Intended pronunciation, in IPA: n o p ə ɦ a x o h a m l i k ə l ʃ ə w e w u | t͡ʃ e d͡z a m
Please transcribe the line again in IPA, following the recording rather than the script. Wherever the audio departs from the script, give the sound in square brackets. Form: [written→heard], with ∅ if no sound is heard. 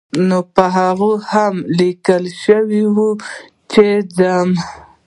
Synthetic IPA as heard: n o p ə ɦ a [x→ɣ] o h a m l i k ə l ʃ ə w [e→i] w u | t͡ʃ e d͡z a m